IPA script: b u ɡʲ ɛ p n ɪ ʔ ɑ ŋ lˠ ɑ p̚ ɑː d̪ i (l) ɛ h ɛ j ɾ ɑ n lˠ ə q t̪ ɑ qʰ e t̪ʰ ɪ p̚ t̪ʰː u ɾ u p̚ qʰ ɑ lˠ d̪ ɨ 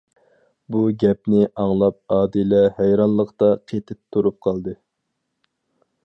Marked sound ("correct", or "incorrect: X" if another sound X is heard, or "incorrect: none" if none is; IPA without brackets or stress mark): correct